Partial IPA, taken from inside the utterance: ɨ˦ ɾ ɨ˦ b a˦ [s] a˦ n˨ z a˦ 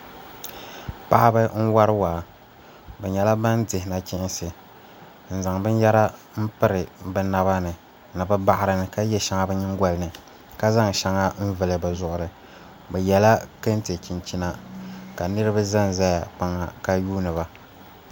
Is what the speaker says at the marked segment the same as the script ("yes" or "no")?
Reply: no